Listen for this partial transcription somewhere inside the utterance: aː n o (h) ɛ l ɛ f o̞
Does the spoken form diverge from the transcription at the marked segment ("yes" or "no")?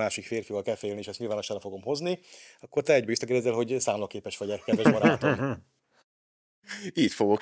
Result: yes